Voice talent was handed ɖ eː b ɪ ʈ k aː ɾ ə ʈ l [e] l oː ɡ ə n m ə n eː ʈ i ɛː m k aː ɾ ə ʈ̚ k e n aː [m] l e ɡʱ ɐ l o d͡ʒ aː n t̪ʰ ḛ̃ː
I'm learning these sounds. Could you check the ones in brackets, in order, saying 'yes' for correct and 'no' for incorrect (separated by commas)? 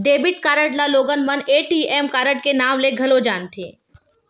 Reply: no, yes